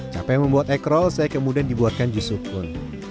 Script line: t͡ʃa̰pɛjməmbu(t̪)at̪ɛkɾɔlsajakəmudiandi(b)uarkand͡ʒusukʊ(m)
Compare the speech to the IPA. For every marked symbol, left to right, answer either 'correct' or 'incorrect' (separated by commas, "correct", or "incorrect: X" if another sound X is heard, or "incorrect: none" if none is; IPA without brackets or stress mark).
incorrect: none, correct, incorrect: n